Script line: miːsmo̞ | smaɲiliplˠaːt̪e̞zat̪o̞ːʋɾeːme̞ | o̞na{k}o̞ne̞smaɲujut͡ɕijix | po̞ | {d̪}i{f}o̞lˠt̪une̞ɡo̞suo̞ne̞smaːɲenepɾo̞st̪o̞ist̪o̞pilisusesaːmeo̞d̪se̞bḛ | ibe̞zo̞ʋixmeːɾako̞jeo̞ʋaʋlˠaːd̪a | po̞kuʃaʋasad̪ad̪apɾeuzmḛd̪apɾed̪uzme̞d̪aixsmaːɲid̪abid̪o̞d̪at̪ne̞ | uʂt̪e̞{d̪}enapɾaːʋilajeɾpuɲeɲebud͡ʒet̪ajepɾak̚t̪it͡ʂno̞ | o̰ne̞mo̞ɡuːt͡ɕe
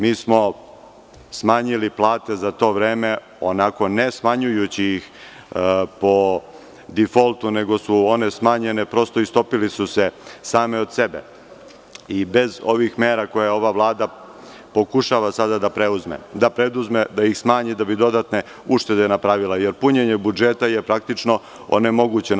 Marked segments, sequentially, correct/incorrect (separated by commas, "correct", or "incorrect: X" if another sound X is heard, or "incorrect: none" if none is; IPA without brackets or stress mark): correct, correct, correct, correct